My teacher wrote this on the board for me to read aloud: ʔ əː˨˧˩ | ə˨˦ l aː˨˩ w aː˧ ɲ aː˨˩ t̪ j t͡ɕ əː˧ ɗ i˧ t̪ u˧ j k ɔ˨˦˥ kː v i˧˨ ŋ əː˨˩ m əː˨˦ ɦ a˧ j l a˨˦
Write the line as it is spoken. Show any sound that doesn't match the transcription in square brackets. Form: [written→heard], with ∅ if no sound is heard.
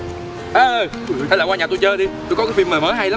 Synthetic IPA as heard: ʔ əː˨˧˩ | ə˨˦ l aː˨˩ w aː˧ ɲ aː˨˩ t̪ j t͡ɕ əː˧ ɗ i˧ t̪ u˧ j k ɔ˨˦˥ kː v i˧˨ [ŋ→m] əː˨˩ m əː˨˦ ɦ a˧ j l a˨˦